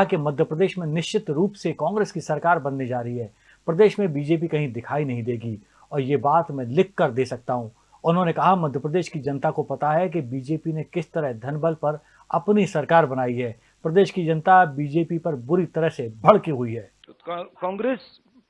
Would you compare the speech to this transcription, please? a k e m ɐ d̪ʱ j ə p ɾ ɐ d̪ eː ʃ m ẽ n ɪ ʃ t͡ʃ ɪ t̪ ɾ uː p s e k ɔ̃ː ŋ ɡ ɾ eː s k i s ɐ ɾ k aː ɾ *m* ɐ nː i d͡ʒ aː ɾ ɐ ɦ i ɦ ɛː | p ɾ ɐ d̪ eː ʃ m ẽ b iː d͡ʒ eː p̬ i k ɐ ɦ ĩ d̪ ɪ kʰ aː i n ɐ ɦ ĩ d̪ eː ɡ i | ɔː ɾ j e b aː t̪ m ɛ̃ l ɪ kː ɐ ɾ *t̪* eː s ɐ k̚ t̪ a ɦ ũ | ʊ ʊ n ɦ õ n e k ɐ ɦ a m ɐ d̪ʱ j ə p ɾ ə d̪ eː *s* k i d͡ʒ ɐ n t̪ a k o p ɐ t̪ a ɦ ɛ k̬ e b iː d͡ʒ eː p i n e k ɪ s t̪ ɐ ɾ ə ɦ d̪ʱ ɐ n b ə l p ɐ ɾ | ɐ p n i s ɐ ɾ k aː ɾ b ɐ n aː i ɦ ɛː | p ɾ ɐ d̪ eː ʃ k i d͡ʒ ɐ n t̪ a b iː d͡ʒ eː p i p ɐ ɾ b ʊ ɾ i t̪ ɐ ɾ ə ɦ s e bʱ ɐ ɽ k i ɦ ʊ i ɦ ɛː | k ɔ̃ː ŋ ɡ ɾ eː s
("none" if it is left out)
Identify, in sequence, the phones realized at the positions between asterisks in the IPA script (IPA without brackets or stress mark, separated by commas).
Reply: b, d̪, ʃ